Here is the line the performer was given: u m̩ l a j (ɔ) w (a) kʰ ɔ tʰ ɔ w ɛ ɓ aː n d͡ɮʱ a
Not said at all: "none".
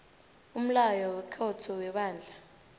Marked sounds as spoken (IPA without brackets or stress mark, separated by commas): ɔ, ɛ